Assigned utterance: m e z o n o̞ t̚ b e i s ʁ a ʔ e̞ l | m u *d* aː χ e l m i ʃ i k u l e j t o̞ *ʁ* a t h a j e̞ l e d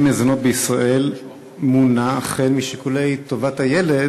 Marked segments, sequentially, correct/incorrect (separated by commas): incorrect, incorrect